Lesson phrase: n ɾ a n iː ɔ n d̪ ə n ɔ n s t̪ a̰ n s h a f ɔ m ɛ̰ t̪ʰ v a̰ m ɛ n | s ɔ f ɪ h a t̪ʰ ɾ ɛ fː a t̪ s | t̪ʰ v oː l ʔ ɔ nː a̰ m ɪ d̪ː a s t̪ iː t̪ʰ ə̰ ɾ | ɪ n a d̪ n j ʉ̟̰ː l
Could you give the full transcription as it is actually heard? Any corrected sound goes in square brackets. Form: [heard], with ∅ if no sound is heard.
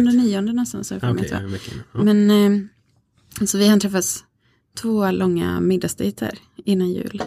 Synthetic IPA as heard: n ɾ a n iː ɔ n d̪ ə n ɔ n s t̪ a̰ n s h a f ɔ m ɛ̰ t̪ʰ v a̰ m ɛ n | s ɔ [v] ɪ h a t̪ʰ ɾ ɛ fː a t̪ s | t̪ʰ v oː l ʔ ɔ [ŋː] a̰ m ɪ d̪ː a s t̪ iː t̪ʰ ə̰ ɾ | ɪ [nː] a [∅] n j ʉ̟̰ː l